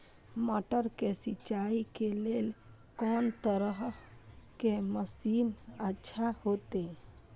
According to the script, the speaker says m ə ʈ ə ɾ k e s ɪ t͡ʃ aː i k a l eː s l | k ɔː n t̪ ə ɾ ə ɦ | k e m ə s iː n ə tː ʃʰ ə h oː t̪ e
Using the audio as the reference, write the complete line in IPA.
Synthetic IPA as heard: m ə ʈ ə ɾ k e s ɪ t͡ʃ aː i k e l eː l | k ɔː n t̪ ə ɾ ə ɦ | k e m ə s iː n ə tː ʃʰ a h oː t̪ e